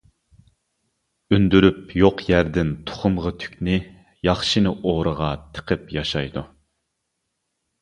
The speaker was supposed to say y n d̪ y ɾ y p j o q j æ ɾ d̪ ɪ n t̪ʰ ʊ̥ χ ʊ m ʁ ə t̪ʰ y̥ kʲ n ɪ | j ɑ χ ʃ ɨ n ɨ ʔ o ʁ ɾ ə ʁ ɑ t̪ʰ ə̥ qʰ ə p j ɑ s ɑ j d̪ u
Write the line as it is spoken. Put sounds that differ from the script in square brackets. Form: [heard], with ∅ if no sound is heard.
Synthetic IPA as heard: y n d̪ y ɾ y p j o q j æ ɾ d̪ ɪ n t̪ʰ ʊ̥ χ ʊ m ʁ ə t̪ʰ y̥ kʲ n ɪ | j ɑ χ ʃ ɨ n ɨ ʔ o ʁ ɾ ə ʁ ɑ t̪ʰ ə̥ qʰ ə p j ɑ [ʃ] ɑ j d̪ u